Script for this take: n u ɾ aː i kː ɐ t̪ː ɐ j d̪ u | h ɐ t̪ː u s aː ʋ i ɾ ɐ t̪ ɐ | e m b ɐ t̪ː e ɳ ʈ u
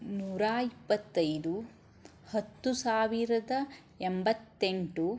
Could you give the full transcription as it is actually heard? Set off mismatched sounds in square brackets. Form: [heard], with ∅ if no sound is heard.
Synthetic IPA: n [uː] ɾ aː i [pː] ɐ t̪ː ɐ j d̪ u | h ɐ t̪ː u s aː ʋ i ɾ ɐ [d̪] ɐ | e m b ɐ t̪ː e ɳ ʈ u